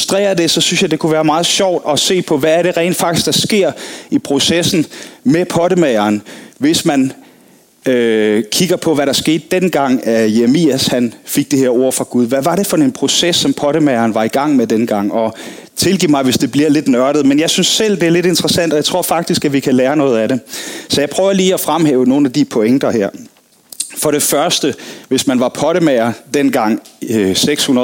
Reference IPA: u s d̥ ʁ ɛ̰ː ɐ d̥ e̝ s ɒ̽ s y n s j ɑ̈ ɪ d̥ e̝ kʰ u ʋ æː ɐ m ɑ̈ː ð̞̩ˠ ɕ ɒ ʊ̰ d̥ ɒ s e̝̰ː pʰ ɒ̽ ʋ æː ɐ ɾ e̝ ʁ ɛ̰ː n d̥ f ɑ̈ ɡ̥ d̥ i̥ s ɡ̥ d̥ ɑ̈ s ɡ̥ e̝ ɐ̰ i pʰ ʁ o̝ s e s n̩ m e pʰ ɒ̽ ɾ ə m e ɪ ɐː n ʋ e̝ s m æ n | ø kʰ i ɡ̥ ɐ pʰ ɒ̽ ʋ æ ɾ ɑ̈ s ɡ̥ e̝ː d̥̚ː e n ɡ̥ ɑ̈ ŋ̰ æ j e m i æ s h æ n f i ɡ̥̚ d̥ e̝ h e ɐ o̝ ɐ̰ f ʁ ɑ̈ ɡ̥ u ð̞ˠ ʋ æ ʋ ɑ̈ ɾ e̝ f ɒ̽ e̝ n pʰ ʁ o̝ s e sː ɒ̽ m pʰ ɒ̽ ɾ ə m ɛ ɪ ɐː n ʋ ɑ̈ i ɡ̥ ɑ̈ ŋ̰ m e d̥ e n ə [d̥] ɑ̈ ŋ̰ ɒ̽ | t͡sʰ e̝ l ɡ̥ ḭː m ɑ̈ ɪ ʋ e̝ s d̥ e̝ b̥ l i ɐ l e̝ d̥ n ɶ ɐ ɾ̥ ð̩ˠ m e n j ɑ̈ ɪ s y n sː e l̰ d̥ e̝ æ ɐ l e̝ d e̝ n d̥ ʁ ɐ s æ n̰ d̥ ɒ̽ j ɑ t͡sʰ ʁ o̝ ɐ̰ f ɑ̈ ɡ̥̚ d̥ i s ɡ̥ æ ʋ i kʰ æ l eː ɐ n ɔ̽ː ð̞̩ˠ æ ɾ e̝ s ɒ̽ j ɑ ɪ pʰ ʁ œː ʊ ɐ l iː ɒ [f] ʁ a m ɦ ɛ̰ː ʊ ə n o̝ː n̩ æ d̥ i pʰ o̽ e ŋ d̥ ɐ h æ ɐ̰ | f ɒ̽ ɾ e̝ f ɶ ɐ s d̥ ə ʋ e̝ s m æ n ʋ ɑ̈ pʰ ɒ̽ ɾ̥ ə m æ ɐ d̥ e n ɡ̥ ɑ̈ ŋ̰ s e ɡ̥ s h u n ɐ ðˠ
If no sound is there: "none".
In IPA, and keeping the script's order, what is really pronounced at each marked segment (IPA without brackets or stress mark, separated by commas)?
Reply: ɡ̥, f